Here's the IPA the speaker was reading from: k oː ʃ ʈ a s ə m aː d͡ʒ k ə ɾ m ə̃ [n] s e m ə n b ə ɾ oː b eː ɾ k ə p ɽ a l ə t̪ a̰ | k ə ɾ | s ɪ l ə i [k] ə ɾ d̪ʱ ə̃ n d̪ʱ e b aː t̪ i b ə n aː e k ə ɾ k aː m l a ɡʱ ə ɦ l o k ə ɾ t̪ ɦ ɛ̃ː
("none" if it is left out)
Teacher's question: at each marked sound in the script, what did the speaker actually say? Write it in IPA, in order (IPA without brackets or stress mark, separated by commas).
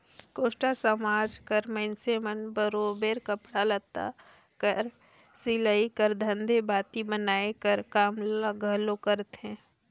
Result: n, k